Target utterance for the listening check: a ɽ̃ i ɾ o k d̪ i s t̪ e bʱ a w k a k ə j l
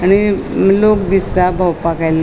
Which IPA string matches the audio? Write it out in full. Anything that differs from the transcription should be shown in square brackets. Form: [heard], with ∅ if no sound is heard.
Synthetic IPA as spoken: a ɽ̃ i [l] o k d̪ i s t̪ [a] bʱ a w [p] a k [a] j l